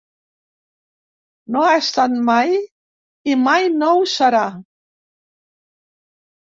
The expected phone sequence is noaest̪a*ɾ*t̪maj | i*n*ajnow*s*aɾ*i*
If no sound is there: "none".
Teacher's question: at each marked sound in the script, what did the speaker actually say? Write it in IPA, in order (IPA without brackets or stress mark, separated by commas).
none, m, s, a